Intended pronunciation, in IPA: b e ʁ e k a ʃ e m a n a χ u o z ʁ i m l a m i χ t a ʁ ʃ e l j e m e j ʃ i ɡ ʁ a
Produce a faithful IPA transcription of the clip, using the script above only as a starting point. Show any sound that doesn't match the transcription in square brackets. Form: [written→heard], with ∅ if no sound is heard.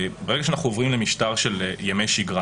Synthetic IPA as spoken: b e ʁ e [k→ɡ] a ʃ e [m→∅] a n a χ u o [z→v] ʁ i m l [a→e] m i [χ→ʃ] t a ʁ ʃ e l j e m e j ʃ i ɡ ʁ a